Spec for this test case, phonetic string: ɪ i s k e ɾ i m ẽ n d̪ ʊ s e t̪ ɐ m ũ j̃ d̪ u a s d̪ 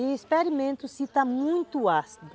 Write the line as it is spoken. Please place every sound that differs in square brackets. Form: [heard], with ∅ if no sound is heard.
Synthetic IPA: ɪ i s [p] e ɾ i m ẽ n [t̪] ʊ s [i] t̪ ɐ m ũ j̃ [t̪] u a s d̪